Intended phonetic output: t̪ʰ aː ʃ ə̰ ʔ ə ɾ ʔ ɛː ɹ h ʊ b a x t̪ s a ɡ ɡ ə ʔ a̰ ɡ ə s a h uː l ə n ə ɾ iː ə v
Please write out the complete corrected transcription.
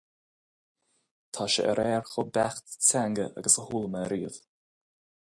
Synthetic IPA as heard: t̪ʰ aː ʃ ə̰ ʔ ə ɾ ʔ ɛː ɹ x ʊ b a x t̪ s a ŋ ɡ ə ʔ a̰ ɡ ə s ə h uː l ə m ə ɾ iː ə v

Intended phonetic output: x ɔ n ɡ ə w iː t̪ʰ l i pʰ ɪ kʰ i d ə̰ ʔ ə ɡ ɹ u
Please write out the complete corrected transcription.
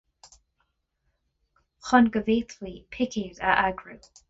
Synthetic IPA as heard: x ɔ n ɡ ə v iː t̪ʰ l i pʰ ɪ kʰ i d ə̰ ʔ a ɡ ɹ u

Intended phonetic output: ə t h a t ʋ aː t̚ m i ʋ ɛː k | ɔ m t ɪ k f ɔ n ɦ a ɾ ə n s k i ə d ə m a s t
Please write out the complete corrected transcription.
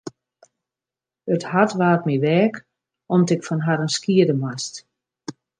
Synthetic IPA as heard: ə t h a t ʋ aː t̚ m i ʋ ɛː k | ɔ m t ɪ k f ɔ n ɦ a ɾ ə n s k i ə d ə m a s t

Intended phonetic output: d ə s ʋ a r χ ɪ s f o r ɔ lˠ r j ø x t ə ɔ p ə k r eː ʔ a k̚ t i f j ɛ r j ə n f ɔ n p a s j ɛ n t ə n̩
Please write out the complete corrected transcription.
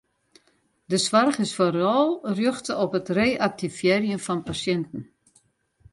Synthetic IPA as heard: d ə s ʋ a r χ ɪ s f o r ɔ lˠ r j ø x t ə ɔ p ə t r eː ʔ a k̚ t i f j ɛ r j ə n f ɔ n p a s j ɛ n t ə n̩

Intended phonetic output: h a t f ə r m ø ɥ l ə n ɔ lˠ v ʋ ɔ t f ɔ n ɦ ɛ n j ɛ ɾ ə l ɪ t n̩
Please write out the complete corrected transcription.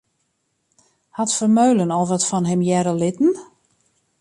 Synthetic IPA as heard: h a t f ə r m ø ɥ l ə n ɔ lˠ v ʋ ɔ t f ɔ n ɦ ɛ m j ɛ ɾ ə l ɪ t n̩

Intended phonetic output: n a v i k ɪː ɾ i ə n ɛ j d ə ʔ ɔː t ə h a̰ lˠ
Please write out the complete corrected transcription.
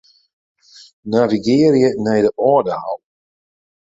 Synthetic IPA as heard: n a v i ɡ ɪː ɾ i ə n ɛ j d ə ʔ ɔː d ə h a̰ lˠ

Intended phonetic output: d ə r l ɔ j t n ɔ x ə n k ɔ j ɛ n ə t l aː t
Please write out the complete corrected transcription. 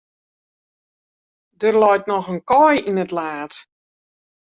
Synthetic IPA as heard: d ə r l ɔ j t n ɔ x ə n k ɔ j i n ə t l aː t

